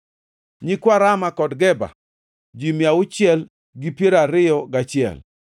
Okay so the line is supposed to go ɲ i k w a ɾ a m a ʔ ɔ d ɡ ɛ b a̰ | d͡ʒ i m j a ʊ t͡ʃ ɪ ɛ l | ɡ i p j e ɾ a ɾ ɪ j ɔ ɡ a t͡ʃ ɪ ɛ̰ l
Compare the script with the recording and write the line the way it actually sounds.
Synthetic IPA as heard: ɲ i k w a ɾ a m a k ɔ d ɡ ɛ b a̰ | d͡ʒ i m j a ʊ t͡ʃ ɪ ɛ l | ɡ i p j e ɾ a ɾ ɪ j ɔ ɡ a t͡ʃ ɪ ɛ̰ l